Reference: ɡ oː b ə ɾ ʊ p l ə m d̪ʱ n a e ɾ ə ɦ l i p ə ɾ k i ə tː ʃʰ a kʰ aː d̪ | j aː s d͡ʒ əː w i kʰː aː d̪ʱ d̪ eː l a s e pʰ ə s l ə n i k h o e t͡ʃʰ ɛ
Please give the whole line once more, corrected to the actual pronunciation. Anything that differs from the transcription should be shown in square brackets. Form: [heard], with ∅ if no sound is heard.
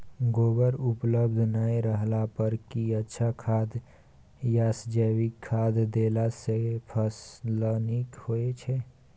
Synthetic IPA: ɡ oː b ə ɾ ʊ p l ə [b] d̪ʱ n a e ɾ ə ɦ l [a] p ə ɾ k i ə tː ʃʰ a kʰ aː d̪ | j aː s d͡ʒ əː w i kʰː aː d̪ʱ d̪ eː l a s e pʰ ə s l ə n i k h o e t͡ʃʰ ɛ